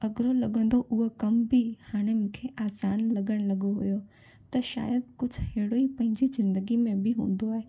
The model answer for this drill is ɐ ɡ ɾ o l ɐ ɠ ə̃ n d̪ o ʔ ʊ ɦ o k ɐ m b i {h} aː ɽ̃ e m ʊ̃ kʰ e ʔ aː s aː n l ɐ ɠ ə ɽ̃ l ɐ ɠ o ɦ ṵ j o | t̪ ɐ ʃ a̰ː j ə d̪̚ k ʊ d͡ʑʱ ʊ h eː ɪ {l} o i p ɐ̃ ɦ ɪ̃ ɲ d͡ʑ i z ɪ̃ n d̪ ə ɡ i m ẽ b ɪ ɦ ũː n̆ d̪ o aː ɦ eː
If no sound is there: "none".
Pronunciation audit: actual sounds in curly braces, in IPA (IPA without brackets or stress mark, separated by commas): h, ɽ